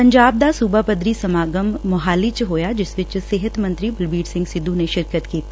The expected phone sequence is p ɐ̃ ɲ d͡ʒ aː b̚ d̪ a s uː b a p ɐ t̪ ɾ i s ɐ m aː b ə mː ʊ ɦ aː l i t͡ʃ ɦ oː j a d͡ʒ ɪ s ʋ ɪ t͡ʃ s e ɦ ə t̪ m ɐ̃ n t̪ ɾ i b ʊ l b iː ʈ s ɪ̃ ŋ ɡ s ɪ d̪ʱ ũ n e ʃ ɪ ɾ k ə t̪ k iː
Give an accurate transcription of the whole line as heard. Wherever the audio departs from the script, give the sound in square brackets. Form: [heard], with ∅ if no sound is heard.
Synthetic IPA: p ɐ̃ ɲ d͡ʒ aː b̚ d̪ a s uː b a p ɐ [d̪] ɾ i s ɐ m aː [ɡ] ə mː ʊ ɦ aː l i t͡ʃ ɦ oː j a d͡ʒ ɪ s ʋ ɪ t͡ʃ s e ɦ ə t̪ m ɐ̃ n t̪ ɾ i b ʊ l b iː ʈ s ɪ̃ ŋ ɡ s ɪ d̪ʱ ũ n e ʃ ɪ ɾ k ə t̪ k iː